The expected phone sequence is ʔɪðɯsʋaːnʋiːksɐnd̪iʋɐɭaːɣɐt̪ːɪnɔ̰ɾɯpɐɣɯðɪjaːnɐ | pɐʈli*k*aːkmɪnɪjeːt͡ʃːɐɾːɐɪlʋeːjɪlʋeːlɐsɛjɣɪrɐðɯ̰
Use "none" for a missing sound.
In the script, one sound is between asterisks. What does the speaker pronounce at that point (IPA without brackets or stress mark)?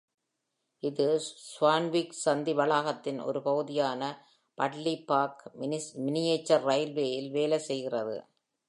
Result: p